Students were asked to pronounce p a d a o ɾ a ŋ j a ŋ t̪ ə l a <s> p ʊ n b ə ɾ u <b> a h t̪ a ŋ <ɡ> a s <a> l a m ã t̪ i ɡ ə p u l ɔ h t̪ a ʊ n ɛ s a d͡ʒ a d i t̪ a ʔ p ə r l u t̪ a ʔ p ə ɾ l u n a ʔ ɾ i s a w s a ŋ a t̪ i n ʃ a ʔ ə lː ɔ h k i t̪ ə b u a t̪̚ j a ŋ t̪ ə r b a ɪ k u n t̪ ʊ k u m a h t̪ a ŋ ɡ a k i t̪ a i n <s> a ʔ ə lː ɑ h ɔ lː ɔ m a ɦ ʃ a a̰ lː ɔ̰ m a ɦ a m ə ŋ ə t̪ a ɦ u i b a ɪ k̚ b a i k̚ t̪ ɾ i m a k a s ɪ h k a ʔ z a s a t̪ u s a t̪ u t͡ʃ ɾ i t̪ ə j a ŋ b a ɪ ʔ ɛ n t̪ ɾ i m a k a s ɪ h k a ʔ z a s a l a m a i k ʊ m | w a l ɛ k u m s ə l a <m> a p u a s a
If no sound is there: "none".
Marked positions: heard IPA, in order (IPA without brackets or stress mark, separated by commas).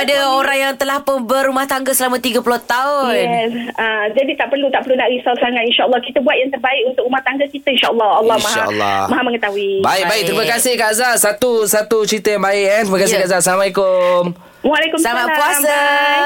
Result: h, m, ɡ, ə, ʃ, m